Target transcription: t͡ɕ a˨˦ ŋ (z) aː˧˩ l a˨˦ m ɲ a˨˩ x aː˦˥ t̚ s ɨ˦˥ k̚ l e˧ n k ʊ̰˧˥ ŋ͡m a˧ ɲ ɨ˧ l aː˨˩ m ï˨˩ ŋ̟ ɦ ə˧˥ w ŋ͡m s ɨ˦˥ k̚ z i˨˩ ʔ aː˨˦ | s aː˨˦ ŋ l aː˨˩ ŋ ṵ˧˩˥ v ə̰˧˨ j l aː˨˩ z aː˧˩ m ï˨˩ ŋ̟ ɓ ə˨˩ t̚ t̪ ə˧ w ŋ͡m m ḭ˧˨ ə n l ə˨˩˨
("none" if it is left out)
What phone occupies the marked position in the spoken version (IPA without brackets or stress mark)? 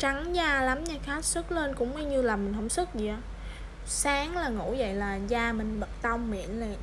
z